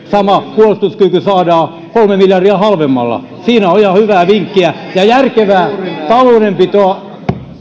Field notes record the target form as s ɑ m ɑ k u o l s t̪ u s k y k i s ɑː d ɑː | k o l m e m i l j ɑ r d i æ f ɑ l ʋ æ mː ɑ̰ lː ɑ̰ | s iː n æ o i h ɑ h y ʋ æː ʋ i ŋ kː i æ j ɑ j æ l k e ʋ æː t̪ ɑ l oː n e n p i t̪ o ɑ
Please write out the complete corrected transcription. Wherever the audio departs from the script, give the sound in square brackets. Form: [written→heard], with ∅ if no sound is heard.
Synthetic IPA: s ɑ m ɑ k u o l s t̪ u s k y k [i→y] s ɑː d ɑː | k o l m e m i l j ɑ r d i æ [f→h] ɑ l ʋ [æ→e] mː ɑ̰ lː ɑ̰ | s iː n æ o i h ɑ h y ʋ æː ʋ i ŋ kː i æ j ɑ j æ [l→r] k e ʋ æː t̪ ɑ l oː n e [n→m] p i t̪ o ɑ